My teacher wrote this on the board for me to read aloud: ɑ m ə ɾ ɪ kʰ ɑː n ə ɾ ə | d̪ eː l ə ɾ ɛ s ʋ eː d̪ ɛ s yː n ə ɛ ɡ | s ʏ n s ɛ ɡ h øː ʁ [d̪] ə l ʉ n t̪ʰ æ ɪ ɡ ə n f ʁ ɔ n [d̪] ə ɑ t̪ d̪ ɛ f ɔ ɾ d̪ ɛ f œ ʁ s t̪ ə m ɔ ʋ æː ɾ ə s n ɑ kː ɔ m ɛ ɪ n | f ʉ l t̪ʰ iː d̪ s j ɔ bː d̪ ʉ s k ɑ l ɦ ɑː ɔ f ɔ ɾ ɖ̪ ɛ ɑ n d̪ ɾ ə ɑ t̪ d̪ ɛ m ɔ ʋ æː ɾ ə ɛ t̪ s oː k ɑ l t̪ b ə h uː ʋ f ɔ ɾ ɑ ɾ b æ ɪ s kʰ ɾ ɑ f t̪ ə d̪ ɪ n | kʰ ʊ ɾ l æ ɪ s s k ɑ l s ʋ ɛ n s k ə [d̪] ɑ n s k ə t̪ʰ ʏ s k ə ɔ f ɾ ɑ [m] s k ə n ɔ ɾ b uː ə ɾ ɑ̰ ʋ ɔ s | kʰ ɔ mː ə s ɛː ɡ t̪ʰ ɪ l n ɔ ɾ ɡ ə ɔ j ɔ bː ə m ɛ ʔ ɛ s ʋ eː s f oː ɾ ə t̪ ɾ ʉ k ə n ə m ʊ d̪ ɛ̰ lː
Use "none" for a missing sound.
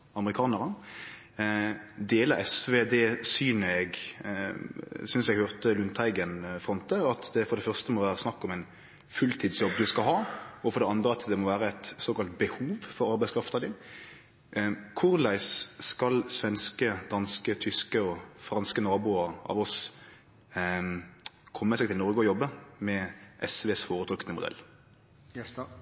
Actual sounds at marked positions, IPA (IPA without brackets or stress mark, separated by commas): t̪, t̪, d̪, n